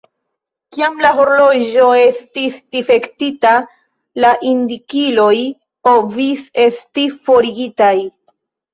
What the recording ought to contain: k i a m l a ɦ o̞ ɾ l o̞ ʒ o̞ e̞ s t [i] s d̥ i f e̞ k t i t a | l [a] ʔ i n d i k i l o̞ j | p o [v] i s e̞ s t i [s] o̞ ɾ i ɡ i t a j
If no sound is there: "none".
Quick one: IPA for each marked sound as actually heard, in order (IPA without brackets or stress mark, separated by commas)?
i, a, v, f